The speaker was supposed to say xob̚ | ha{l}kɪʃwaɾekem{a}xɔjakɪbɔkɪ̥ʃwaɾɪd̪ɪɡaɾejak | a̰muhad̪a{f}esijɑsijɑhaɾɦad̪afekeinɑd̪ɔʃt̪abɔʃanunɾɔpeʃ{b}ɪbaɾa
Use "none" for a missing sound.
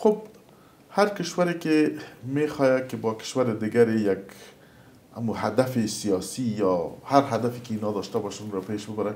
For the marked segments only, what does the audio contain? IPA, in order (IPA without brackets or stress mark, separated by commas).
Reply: ɾ, e, f, b